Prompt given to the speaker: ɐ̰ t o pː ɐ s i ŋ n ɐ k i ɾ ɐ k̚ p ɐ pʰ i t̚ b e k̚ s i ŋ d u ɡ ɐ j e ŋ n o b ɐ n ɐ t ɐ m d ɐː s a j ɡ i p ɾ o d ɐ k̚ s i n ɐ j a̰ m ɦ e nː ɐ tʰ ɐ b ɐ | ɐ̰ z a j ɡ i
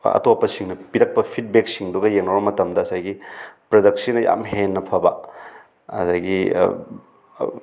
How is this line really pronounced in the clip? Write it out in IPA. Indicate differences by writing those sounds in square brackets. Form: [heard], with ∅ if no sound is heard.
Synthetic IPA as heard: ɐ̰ t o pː ɐ s i ŋ n ɐ [p] i ɾ ɐ k̚ p ɐ pʰ i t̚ b e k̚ s i ŋ d u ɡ ɐ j e ŋ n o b ɐ [m] ɐ t ɐ m d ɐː s a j ɡ i p ɾ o d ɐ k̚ s i n ɐ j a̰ m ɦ e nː ɐ [pʰ] ɐ b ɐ | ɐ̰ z a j ɡ i